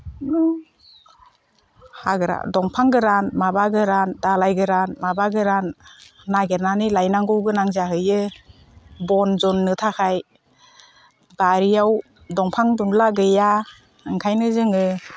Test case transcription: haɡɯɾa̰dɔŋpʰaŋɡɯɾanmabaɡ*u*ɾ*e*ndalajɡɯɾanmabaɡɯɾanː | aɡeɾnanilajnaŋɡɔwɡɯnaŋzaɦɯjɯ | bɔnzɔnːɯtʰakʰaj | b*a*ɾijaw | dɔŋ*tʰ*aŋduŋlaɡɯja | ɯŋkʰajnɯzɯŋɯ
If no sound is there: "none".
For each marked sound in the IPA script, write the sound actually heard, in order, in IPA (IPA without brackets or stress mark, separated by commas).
ɯ, a, a, pʰ